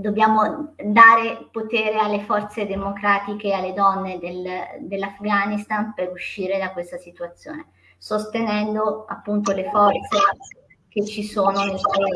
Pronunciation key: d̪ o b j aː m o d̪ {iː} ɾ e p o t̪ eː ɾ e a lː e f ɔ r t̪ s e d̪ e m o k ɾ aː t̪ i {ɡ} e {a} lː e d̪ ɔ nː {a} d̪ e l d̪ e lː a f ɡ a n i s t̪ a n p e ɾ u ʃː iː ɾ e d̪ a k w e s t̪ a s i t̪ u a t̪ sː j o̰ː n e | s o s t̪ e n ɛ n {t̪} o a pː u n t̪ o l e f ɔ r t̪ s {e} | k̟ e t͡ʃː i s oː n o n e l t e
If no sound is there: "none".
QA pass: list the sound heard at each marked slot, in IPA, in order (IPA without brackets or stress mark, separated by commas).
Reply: aː, k, a, e, d̪, e